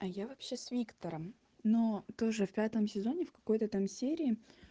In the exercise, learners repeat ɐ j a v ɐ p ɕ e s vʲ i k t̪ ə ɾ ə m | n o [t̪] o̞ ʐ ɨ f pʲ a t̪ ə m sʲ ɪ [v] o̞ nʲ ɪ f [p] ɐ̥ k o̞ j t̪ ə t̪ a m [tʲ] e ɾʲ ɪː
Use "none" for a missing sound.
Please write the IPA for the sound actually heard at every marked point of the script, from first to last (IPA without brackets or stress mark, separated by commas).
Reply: t̪, z, k, sʲ